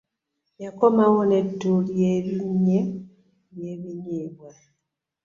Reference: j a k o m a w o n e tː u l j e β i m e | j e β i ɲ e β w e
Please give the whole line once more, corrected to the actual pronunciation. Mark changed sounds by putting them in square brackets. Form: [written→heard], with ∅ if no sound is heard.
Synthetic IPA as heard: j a k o m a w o n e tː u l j e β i [m→ɲ] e | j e β i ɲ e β w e